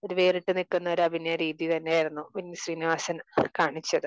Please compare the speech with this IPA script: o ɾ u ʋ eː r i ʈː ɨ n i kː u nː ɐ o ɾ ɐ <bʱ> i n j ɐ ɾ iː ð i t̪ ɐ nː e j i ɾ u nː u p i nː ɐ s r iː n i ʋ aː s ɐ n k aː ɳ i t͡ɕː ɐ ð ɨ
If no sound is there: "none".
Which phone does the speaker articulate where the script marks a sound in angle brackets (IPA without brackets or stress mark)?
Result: bʱ